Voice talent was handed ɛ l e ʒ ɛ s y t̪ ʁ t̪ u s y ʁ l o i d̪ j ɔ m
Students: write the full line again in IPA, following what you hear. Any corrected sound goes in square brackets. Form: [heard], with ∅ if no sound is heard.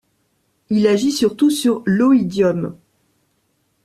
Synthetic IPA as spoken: [i] l [a] ʒ [i] s y [∅] ʁ t̪ u s y ʁ l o i d̪ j ɔ m